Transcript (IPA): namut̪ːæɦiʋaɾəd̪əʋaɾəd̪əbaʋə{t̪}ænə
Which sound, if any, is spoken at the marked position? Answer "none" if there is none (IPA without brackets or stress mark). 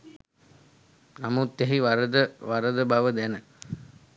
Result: d̪